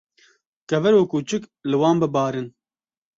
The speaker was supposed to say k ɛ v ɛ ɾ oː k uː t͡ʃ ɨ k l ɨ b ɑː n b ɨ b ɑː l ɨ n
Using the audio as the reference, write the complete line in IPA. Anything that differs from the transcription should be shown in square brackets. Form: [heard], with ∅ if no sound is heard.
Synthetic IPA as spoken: k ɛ v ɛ ɾ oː k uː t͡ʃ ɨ k l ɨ [w] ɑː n b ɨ b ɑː [ɾ] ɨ n